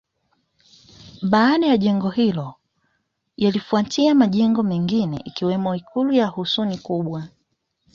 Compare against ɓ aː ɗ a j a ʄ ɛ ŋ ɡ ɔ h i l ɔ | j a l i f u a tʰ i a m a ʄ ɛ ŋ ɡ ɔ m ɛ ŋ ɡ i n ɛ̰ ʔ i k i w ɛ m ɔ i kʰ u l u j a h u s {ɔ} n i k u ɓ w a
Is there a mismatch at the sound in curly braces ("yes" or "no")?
yes